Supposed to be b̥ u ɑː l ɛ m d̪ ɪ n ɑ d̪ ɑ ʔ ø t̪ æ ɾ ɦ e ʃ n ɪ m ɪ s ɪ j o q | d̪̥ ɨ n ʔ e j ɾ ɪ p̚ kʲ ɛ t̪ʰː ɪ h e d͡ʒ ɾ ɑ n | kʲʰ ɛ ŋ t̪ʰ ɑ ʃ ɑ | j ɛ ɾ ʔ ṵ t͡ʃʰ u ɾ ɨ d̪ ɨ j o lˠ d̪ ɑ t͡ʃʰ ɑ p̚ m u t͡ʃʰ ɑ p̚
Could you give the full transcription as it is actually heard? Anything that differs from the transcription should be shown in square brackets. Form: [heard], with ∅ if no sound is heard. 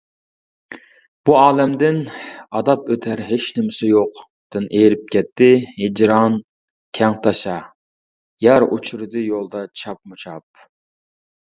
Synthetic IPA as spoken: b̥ u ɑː l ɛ m d̪ ɪ n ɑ d̪ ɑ [p] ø [t̪ʰ] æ ɾ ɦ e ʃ n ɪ m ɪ s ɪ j o q | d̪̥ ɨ n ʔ e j ɾ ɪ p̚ kʲ ɛ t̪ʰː ɪ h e d͡ʒ ɾ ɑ n | kʲʰ ɛ ŋ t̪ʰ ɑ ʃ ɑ | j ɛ ɾ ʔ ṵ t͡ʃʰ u ɾ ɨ d̪ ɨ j o lˠ d̪ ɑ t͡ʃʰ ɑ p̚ m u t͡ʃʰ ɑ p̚